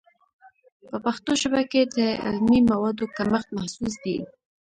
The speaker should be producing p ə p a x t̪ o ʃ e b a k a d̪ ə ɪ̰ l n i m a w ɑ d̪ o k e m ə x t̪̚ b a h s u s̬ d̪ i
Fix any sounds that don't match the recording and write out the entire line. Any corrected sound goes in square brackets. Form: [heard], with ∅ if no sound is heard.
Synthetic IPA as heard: p ə p a x t̪ o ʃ [a] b a k [e] d̪ ə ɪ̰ l [m] i m a w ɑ d̪ o k [a] m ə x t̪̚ [m] a h s u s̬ d̪ i